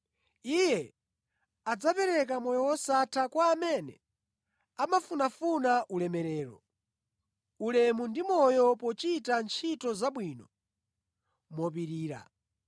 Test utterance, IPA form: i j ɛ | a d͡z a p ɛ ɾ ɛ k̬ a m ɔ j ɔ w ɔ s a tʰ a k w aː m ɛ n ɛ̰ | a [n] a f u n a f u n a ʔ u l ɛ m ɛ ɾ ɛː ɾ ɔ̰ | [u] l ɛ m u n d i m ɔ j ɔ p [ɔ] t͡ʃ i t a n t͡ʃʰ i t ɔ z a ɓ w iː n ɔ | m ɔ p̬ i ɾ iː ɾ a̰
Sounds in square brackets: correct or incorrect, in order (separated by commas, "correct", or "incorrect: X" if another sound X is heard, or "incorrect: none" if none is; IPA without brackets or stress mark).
incorrect: m, correct, correct